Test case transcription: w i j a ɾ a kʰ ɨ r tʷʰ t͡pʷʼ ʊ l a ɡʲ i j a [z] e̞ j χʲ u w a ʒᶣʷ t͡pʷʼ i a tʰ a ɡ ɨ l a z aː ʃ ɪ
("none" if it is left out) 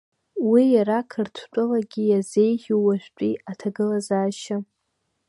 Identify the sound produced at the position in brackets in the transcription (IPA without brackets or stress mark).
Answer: z